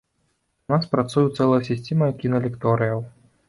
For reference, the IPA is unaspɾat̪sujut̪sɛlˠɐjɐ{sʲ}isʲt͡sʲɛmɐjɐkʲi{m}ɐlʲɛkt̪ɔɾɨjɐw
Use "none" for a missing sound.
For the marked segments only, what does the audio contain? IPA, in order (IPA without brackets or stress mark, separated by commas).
sʲ, n